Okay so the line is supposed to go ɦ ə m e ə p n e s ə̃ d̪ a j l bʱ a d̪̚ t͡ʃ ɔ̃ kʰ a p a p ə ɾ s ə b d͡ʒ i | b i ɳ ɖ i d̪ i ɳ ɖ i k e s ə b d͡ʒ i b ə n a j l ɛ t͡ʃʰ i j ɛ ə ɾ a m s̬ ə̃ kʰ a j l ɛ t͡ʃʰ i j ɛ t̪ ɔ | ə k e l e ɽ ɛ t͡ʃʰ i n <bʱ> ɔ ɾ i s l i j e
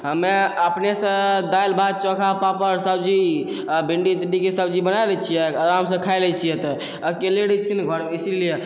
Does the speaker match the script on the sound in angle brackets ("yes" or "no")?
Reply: no